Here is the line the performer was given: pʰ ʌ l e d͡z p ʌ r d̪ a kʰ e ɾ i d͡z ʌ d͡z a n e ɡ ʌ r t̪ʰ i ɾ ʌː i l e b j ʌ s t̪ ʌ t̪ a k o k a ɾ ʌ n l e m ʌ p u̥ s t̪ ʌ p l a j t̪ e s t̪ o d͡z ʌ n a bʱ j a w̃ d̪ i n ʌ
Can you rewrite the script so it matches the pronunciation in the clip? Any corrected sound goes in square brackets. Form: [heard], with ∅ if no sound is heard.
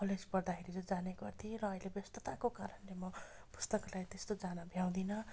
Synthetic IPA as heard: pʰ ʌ l e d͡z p ʌ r d̪ a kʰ e ɾ i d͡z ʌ d͡z a n e ɡ ʌ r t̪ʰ i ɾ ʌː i l e b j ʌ s t̪ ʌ t̪ a k o k a ɾ ʌ n l e m ʌ p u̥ s t̪ ʌ [k] l a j t̪ e s t̪ o d͡z [a] n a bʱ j a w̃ d̪ i n ʌ